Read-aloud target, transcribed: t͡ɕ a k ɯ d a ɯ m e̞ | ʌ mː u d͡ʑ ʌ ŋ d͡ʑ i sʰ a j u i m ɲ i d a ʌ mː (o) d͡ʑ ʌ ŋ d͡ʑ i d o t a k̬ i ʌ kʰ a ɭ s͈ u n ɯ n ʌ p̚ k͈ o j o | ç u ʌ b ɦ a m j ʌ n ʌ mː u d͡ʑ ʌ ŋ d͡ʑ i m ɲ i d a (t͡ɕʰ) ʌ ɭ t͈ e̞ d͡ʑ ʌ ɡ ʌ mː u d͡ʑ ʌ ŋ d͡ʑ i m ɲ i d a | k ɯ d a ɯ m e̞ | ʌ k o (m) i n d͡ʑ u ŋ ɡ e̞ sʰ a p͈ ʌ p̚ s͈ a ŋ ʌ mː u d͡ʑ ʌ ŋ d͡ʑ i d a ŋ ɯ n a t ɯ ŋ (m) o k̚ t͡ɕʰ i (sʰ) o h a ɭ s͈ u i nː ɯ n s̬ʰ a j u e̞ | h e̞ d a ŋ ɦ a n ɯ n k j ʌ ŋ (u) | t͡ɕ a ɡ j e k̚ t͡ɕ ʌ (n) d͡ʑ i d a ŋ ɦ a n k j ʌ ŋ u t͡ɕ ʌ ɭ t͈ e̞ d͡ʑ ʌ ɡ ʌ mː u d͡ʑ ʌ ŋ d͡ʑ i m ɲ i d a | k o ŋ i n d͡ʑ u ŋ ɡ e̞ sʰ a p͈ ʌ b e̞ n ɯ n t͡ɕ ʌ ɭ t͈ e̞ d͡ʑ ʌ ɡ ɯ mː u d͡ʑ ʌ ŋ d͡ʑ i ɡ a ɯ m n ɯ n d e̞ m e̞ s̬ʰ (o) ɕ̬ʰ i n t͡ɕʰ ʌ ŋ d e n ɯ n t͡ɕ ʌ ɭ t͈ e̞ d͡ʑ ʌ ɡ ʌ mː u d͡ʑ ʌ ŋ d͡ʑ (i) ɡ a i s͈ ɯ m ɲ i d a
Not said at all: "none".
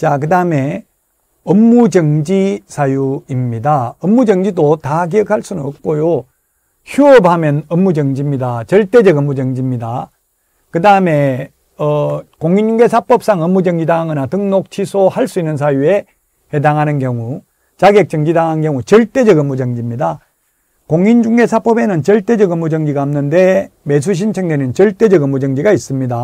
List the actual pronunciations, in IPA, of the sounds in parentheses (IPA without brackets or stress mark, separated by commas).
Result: u, t͡ɕ, ŋ, n, sʰ, u, ŋ, u, i